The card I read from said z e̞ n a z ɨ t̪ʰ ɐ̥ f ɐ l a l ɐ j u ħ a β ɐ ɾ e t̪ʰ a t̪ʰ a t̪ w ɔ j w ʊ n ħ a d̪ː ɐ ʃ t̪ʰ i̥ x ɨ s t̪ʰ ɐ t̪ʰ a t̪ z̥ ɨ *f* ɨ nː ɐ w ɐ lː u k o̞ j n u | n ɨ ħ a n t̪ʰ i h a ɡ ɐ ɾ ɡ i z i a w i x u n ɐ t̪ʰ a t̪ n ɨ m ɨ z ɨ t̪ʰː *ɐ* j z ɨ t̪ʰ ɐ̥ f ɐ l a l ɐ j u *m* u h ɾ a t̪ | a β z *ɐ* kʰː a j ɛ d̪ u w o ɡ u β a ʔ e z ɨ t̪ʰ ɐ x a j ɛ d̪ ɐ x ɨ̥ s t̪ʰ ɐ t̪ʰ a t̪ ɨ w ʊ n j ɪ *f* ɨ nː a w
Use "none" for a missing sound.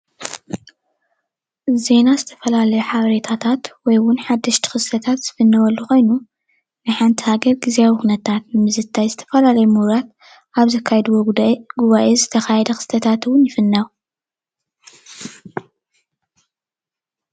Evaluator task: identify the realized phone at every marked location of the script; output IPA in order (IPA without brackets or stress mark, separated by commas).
f, a, m, ɐ, f